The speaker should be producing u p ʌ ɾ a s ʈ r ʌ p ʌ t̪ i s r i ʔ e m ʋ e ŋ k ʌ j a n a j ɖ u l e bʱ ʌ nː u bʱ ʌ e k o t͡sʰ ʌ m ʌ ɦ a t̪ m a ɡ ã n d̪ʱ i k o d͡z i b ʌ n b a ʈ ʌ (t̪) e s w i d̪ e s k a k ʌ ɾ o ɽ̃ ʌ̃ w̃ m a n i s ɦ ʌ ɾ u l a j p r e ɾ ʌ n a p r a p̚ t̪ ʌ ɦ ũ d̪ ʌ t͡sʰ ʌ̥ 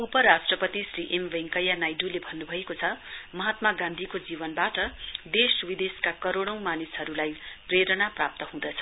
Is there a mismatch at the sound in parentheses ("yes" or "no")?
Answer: yes